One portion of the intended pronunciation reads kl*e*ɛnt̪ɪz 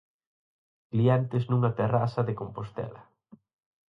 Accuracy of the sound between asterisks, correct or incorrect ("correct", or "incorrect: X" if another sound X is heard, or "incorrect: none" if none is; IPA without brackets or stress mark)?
incorrect: i